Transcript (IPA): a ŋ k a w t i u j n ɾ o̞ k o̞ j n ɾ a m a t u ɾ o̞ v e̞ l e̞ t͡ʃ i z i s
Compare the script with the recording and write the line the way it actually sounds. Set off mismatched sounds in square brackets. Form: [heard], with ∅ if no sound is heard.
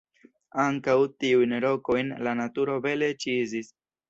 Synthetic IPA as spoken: a ŋ k a w t i u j n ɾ o̞ k o̞ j n [l] a [n] a t u ɾ o̞ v e̞ l e̞ t͡ʃ i z i s

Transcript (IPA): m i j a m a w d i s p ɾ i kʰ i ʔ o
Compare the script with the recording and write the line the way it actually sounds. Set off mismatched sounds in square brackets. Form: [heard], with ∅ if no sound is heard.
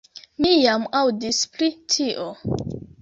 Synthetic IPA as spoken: m i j a m a w d i s p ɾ i [tʰ] i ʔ o

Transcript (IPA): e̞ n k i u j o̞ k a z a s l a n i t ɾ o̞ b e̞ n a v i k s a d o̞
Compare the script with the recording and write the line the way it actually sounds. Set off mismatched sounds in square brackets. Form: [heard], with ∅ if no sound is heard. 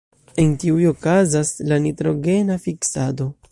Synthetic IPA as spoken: e̞ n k i u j o̞ k a z a s l a n i t ɾ o̞ [ɡ] e̞ n a [f] i k s a d o̞

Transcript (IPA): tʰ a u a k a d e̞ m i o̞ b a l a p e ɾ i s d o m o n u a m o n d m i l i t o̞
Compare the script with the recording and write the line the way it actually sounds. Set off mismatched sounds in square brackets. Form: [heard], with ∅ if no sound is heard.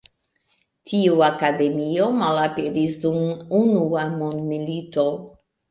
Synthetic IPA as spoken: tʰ [i] u a k a d e̞ m i o̞ [m] a l a p e ɾ i s d [u] m [u] n u a m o n d m i l i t o̞

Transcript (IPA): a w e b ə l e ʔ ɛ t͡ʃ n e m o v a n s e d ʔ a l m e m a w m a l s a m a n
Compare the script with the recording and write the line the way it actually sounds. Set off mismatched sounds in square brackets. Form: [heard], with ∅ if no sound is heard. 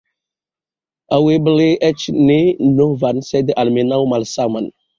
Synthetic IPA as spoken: a w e b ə l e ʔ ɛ t͡ʃ n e [n] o v a n s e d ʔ a l m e [n] a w m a l s a m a n

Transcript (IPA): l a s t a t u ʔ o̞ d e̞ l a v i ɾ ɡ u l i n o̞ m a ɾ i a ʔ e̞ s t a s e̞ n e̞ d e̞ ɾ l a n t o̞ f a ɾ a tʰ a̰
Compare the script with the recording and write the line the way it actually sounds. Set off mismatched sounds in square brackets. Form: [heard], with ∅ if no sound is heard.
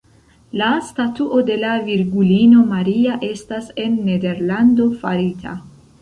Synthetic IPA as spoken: l a s t a t u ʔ o̞ d e̞ l a v i ɾ ɡ u l i n o̞ m a ɾ i a ʔ e̞ s t a s e̞ [nː] e̞ d e̞ ɾ l a n [d] o̞ f a ɾ [i] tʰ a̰

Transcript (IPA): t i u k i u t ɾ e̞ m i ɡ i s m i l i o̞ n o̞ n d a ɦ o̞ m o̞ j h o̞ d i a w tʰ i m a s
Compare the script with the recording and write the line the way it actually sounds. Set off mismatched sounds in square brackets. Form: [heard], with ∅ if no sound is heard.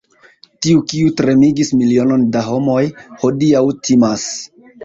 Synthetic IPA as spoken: t i u k i u t ɾ e̞ m i ɡ i s m i l i o̞ n o̞ n d a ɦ o̞ m o̞ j h o̞ d i a w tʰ i m a s

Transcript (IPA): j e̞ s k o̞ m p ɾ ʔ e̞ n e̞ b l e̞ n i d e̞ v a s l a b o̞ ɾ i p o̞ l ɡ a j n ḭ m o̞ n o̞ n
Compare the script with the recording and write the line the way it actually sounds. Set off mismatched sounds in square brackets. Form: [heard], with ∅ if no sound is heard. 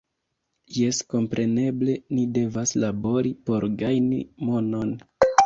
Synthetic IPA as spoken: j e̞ s k o̞ m p ɾ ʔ e̞ n e̞ b l e̞ n i d e̞ v a s l a b o̞ ɾ i p o̞ [ɾ] ɡ a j n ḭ m o̞ n o̞ n

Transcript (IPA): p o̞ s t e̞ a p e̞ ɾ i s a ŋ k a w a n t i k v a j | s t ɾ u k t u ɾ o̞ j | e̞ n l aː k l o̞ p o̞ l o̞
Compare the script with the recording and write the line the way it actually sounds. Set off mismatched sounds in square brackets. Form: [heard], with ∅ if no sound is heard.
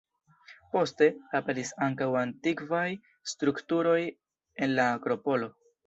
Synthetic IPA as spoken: p o̞ s t e̞ a p e̞ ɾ i s a ŋ k a w a n t i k v a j | s t ɾ u k t u ɾ o̞ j | e̞ n l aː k [ɾ] o̞ p o̞ l o̞

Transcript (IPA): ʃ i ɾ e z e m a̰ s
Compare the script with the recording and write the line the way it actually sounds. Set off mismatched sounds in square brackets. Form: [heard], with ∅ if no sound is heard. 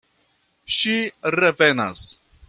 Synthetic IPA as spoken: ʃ i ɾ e [v] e [n] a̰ s

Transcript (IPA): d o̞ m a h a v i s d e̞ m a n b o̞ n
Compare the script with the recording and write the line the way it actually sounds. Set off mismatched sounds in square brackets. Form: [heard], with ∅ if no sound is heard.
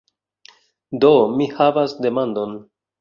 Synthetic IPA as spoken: d o̞ m [i] h a v [a] s d e̞ m a n [d] o̞ n

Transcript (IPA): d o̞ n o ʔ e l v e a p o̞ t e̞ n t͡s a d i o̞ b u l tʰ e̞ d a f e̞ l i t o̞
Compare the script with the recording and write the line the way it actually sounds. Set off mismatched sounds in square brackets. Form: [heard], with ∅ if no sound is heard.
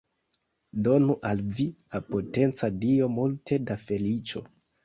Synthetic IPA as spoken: d o̞ n [u] ʔ [a] l v [i] a p o̞ t e̞ n t͡s a d i o̞ [m] u l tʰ e̞ d a f e̞ l i [t͡ʃ] o̞

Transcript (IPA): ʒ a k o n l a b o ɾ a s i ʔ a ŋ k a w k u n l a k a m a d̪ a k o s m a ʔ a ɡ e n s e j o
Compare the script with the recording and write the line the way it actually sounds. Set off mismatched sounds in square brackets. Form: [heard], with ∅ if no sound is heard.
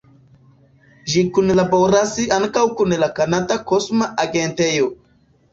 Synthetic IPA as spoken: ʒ [i] k [u] n l a b o ɾ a s i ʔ a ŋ k a w k u n l a k a [n] a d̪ a k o s m a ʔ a ɡ e n [t] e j o

